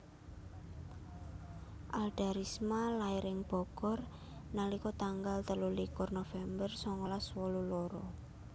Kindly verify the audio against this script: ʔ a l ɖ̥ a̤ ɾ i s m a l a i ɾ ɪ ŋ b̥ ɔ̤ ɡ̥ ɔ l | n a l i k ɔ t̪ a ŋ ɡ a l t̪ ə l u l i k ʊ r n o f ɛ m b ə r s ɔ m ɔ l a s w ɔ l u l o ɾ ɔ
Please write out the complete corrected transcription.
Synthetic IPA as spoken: ʔ a l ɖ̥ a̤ ɾ i s m a l a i ɾ ɪ ŋ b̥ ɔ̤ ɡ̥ ɔ r | n a l i k ɔ t̪ a ŋ ɡ a l t̪ ə l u l i k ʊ r n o f ɛ m b ə r s ɔ ŋ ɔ l a s w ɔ l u l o ɾ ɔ